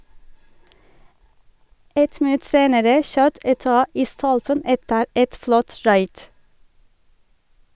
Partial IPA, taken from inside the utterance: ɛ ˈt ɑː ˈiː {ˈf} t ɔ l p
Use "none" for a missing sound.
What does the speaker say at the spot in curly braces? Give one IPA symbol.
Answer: s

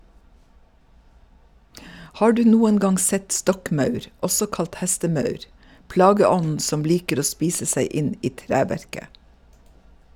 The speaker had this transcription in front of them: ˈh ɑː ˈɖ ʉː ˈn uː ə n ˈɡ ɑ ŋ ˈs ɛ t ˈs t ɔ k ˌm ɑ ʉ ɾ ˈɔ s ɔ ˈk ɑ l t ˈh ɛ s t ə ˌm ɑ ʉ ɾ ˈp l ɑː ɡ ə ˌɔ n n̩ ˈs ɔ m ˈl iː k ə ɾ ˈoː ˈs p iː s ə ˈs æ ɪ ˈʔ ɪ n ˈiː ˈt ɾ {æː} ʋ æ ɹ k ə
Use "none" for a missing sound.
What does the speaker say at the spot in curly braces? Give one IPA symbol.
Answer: æː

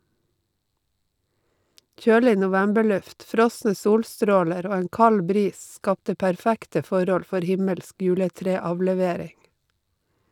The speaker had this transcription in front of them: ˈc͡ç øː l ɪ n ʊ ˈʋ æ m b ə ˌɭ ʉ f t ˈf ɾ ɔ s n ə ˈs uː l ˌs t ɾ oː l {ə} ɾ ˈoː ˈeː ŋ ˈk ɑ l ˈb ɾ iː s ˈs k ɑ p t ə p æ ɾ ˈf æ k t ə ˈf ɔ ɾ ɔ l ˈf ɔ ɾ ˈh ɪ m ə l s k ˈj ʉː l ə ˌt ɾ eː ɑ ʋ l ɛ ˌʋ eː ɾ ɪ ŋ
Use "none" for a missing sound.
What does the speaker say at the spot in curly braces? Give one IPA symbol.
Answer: ə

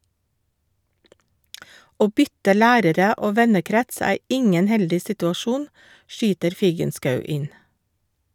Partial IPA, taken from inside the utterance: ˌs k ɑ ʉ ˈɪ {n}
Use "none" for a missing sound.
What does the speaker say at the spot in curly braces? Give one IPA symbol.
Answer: n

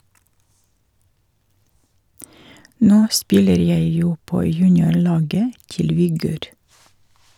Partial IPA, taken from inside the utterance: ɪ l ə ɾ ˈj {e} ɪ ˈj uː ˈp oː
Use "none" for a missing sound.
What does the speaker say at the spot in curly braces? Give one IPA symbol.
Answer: æ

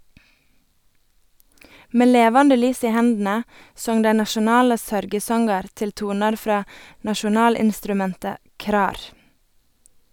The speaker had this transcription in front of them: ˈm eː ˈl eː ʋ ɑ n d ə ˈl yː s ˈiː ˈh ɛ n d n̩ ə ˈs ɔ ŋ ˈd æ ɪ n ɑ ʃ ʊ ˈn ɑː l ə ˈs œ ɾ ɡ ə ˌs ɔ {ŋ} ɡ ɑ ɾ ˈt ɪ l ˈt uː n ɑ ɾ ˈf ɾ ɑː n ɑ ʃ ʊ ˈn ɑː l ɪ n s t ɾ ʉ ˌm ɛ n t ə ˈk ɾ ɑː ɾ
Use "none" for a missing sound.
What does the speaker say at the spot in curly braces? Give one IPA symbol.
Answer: ŋ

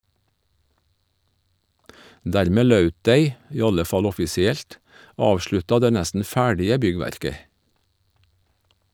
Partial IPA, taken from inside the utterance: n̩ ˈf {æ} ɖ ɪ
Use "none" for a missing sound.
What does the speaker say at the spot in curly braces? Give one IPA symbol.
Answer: æː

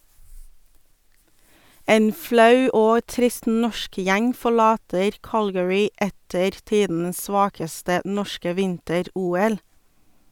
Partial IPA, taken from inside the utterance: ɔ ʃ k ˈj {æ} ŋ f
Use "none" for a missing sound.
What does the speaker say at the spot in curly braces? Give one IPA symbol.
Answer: æ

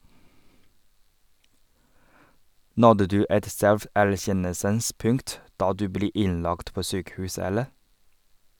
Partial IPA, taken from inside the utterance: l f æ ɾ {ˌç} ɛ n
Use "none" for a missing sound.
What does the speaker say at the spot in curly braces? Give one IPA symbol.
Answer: ç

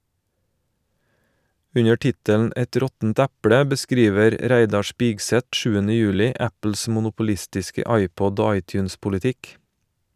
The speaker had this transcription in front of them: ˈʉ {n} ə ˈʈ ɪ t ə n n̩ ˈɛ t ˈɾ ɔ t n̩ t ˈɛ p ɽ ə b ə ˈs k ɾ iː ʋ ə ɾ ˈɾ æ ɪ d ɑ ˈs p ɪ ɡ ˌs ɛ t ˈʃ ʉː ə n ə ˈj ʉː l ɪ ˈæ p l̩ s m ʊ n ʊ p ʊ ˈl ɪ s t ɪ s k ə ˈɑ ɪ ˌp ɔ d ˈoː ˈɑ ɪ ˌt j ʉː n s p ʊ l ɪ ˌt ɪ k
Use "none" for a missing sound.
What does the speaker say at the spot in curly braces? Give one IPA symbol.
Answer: ɲ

